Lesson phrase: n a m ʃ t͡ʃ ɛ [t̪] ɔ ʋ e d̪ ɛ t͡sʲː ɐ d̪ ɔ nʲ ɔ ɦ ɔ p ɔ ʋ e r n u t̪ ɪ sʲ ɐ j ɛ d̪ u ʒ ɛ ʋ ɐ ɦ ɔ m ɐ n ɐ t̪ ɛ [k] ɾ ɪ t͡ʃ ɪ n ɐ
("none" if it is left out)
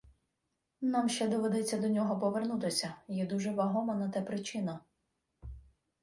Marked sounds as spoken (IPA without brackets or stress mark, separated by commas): d̪, p